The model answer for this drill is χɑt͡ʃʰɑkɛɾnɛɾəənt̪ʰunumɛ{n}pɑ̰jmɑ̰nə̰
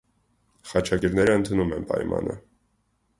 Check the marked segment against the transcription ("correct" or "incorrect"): correct